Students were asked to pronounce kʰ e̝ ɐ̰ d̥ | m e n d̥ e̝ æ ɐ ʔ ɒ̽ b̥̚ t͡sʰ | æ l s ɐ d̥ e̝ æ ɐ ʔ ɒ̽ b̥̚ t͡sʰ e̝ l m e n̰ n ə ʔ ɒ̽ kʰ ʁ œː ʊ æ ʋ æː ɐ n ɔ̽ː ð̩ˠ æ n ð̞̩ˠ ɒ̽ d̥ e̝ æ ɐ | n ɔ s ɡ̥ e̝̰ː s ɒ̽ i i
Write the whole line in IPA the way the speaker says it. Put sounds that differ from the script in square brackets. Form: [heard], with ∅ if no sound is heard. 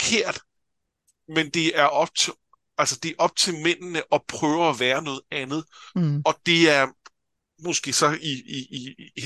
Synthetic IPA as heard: kʰ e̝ ɐ̰ d̥ | m e n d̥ e̝ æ ɐ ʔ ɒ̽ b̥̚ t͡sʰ | æ l s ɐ d̥ e̝ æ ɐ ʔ ɒ̽ b̥̚ t͡sʰ e̝ l m e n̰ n ə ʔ ɒ̽ [pʰ] ʁ œː ʊ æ ʋ æː ɐ n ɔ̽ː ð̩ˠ æ n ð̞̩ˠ ɒ̽ d̥ e̝ æ ɐ | [m] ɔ s ɡ̥ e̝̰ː s ɒ̽ i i